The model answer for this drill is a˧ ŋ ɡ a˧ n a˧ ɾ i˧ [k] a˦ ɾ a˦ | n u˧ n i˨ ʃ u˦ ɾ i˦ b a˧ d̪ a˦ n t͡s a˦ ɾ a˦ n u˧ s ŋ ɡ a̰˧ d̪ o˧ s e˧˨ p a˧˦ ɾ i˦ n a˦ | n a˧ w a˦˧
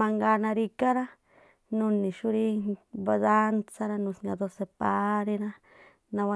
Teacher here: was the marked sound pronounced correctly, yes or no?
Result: yes